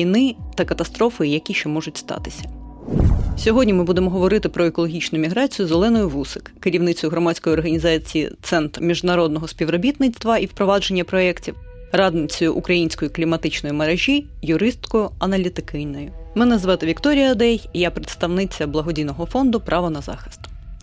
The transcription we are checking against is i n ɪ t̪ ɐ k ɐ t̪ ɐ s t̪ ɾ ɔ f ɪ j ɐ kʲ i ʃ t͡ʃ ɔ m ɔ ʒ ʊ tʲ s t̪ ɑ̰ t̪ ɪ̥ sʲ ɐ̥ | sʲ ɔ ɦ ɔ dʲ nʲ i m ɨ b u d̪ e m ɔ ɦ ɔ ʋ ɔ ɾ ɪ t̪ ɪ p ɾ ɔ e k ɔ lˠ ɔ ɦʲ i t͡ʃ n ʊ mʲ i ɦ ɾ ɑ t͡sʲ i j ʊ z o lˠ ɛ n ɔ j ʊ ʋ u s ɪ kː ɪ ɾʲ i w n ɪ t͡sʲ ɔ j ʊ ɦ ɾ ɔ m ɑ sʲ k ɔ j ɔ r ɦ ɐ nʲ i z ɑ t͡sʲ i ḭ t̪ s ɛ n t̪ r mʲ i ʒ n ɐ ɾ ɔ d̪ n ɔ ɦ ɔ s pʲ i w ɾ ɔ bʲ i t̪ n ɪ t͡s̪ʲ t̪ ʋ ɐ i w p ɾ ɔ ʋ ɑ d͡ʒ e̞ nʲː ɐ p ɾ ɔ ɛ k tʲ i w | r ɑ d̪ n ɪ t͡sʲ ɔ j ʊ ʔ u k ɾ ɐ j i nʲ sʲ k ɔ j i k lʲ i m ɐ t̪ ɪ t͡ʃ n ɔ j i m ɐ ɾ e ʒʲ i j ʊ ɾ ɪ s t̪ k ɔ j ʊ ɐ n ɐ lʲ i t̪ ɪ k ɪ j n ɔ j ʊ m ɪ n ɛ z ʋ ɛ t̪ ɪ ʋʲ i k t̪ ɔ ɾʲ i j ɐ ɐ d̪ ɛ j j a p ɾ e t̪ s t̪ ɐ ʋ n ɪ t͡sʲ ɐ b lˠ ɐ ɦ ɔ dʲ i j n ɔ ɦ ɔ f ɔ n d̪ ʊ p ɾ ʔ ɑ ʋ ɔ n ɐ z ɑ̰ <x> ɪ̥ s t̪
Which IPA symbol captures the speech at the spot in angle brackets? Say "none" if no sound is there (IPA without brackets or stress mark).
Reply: x